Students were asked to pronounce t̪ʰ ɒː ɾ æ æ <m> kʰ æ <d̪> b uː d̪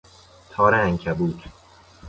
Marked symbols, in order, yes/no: no, no

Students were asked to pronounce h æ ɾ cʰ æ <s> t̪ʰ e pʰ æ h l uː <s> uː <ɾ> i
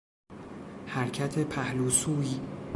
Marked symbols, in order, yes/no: no, yes, no

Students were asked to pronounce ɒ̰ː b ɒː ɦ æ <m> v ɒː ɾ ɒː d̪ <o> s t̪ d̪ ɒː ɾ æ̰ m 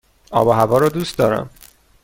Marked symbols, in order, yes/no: no, no

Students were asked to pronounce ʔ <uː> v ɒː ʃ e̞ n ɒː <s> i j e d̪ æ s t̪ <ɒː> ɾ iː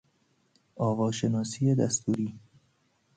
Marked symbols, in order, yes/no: no, yes, no

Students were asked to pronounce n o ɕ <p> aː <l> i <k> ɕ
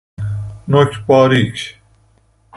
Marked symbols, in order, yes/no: yes, no, yes

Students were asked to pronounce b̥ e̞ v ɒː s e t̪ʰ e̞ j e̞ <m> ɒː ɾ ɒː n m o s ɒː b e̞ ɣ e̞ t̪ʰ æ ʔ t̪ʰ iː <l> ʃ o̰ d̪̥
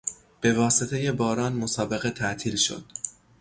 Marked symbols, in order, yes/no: no, yes

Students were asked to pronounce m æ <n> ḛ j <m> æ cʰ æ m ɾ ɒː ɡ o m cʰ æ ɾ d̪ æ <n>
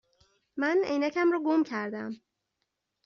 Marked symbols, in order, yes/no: yes, no, no

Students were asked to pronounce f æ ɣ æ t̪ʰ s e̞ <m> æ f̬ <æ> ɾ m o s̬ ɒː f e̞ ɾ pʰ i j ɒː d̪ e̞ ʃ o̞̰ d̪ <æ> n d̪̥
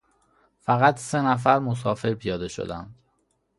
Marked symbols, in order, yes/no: no, yes, yes

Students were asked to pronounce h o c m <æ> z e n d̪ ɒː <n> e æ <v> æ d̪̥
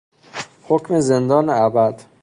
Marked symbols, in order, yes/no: no, yes, no

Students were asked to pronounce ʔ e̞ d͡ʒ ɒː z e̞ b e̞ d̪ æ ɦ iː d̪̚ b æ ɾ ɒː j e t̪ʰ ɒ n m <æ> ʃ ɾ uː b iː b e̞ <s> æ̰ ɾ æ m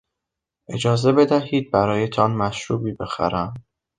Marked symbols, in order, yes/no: yes, no

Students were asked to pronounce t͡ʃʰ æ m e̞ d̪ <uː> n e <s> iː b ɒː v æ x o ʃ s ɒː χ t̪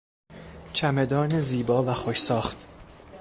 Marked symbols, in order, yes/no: no, no

